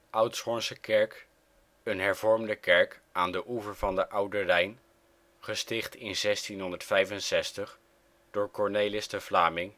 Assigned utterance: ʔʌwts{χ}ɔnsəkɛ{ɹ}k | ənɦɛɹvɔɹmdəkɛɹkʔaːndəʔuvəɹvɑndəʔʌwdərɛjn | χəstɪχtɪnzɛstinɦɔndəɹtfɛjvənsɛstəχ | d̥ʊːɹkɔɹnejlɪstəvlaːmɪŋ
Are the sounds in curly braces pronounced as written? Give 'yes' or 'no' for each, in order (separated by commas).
yes, yes